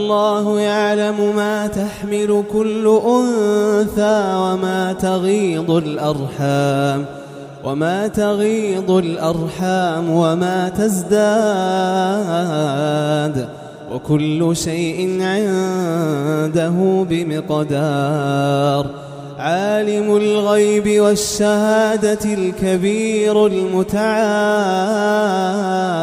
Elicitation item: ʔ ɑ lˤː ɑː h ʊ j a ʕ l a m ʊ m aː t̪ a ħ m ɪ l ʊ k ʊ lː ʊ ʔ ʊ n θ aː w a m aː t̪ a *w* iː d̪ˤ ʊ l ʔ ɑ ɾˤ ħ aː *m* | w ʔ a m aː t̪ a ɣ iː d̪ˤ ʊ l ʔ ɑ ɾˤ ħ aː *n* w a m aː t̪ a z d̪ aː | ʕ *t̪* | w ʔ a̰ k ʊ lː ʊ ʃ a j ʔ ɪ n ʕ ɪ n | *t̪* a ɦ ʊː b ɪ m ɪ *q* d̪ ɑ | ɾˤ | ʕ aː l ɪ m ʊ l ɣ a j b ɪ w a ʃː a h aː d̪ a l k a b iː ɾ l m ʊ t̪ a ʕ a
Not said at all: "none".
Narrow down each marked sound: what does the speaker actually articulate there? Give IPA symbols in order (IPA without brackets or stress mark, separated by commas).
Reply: ɣ, m, m, d̪, d̪, q